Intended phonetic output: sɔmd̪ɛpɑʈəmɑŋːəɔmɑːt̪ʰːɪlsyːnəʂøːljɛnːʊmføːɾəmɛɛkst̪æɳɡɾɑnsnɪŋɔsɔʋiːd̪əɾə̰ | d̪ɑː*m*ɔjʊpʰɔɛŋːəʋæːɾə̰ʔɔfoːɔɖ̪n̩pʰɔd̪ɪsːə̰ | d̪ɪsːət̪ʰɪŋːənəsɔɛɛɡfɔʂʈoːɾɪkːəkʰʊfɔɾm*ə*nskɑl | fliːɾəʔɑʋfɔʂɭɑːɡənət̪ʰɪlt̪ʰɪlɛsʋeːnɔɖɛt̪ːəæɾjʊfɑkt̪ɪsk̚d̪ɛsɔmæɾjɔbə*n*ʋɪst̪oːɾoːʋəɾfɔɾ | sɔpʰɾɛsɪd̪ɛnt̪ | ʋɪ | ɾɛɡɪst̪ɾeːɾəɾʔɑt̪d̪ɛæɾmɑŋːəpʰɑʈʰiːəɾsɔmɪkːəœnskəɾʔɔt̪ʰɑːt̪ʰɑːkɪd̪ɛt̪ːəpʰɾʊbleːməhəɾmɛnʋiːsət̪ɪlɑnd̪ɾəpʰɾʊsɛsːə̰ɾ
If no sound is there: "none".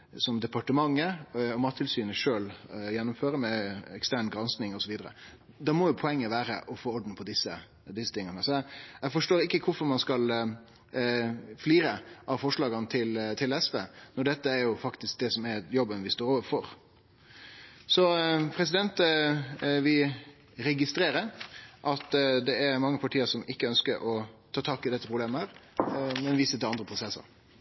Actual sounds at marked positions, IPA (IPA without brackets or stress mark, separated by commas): m, ɑ, n